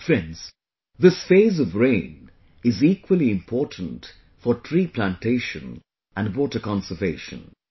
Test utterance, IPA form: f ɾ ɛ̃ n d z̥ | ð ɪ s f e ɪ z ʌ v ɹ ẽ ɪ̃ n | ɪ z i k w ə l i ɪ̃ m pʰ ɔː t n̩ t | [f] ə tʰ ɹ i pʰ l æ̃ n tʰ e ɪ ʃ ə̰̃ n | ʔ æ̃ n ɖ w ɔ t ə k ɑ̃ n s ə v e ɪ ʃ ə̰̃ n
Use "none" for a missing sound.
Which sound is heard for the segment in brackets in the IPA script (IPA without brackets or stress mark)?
f